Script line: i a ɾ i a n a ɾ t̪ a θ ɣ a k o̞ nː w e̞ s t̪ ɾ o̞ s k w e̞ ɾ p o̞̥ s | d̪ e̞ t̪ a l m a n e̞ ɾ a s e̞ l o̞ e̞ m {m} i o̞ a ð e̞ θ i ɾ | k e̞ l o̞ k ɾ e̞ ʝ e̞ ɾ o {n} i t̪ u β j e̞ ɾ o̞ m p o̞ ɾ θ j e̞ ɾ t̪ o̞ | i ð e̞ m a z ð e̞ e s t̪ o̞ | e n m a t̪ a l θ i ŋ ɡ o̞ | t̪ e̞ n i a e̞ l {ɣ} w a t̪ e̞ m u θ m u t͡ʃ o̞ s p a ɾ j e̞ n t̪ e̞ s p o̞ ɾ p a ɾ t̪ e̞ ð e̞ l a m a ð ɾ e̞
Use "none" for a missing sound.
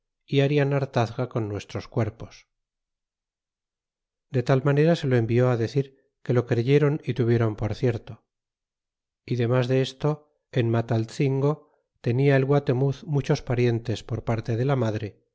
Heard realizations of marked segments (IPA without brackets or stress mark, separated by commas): b, n, ɣ